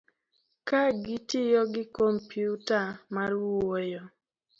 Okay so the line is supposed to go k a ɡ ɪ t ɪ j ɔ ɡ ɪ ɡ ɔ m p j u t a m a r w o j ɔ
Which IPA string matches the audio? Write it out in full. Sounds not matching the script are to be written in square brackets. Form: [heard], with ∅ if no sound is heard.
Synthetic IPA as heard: k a ɡ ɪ t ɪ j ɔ ɡ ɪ [k] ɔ m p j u t a m a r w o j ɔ